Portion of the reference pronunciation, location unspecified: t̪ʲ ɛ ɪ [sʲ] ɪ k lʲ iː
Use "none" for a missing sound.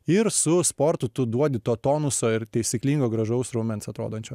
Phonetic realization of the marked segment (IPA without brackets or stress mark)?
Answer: sʲ